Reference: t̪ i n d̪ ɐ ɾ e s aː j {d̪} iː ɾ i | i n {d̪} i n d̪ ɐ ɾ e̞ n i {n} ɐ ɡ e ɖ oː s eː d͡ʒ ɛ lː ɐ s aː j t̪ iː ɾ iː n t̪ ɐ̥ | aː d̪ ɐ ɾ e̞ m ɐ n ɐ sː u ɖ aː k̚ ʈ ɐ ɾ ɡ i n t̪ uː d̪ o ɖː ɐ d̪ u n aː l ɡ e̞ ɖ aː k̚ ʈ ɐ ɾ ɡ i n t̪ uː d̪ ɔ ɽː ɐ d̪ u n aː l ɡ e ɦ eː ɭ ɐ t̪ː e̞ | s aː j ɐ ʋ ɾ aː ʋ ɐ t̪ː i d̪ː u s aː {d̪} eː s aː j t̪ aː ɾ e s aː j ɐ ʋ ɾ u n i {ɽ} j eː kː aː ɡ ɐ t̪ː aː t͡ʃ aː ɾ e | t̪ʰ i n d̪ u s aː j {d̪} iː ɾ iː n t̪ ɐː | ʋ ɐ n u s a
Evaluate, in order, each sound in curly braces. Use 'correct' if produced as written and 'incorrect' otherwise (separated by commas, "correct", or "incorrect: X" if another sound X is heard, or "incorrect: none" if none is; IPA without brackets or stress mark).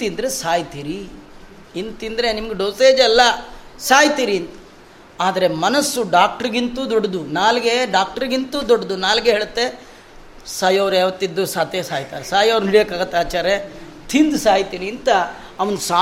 incorrect: t̪, incorrect: t̪, incorrect: m, incorrect: t̪, correct, incorrect: t̪